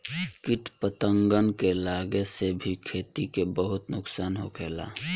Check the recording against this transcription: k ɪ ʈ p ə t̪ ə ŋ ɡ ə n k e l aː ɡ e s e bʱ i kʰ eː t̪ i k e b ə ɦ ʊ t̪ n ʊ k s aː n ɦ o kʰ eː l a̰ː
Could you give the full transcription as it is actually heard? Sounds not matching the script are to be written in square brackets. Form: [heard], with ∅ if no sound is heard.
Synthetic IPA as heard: k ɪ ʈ p ə t̪ ə ŋ ɡ ə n k e l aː ɡ e s e bʱ i kʰ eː t̪ i k e b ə ɦ ʊ t̪ n ʊ k s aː n ɦ o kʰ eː l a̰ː